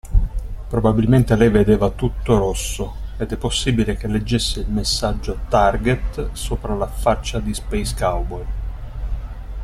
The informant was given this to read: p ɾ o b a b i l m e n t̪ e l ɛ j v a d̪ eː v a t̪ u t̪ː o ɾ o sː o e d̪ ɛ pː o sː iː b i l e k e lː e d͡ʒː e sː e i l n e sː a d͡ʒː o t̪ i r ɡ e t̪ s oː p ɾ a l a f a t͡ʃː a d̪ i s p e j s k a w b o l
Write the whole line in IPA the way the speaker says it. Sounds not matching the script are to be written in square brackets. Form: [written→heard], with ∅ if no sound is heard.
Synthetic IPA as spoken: p ɾ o b a b i l m e n t̪ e l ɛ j v [a→e] d̪ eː v a t̪ u t̪ː o ɾ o sː o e d̪ ɛ pː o sː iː b i l e k e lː e d͡ʒː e sː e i l [n→m] e sː a d͡ʒː o t̪ [i→a] r ɡ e t̪ s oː p ɾ a l a f a t͡ʃː a d̪ i s p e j s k a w b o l